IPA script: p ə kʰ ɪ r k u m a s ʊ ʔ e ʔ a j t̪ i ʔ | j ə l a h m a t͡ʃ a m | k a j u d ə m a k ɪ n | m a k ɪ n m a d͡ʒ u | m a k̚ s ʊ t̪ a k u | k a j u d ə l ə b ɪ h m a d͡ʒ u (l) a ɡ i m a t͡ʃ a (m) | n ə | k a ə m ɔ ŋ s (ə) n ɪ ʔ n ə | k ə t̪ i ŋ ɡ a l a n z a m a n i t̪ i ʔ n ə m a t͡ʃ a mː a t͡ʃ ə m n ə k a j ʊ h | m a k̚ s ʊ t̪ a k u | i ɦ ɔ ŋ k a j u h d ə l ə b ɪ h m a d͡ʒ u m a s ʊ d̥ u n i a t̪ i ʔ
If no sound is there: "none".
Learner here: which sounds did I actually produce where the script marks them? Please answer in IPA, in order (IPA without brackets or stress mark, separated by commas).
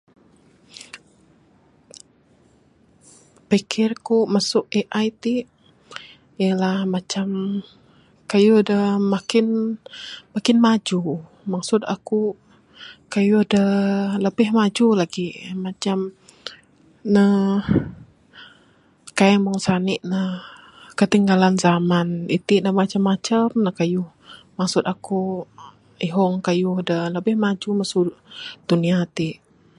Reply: l, m, a